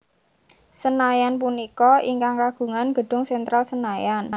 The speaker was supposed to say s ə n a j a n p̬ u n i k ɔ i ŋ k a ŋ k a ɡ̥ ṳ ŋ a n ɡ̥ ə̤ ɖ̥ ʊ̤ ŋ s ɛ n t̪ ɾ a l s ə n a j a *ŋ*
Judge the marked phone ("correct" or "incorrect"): incorrect